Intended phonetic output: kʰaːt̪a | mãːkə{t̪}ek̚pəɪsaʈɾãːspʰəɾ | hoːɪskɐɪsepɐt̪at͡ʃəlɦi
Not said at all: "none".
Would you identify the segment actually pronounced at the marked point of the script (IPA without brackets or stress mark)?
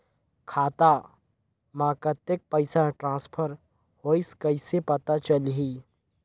t̪